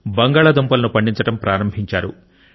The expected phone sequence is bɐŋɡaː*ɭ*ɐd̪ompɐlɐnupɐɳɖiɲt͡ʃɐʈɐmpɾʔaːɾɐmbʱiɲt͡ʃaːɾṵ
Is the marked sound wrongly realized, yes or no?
no